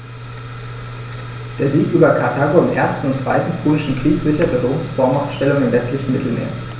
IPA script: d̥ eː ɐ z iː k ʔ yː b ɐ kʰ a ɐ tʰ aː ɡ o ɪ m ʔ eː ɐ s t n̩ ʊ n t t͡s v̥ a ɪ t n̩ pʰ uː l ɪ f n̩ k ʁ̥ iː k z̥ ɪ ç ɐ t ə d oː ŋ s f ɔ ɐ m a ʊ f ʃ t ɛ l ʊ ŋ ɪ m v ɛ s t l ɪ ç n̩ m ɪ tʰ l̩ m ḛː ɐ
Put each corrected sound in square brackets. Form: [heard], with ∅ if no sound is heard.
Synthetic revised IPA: d̥ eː ɐ z iː k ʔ yː b ɐ kʰ a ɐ tʰ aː ɡ o ɪ m ʔ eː ɐ s t n̩ ʊ n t t͡s v̥ a ɪ t n̩ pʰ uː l ɪ [ʃ] n̩ k ʁ̥ iː k z̥ ɪ ç ɐ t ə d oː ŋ s f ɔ ɐ m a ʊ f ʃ t ɛ l ʊ ŋ ɪ m v ɛ s t l ɪ ç n̩ m ɪ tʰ l̩ m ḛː ɐ